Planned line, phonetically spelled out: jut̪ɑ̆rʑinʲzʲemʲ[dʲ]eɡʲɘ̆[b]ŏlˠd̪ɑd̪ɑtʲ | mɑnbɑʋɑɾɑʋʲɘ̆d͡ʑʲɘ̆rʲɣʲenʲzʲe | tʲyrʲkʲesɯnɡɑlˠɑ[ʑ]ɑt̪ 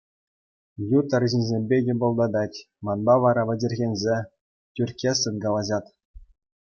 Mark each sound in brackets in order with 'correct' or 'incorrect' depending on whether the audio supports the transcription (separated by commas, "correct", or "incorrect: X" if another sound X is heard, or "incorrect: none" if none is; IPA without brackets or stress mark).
incorrect: bʲ, correct, correct